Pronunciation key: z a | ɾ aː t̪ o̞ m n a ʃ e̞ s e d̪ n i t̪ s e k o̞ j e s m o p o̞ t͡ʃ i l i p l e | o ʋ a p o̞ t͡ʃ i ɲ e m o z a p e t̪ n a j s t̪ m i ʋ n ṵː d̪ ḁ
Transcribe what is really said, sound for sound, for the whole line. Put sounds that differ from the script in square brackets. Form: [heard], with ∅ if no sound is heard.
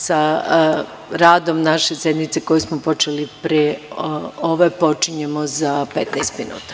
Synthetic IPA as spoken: [s] a | ɾ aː [d̪] o̞ m n a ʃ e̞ s e d̪ n i t̪ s e k o̞ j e s m o p o̞ t͡ʃ [e] l i p [ɾ] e | o ʋ [e] p o̞ t͡ʃ i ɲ e m o z a p e t̪ n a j s t̪ m i [∅] n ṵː [t̪] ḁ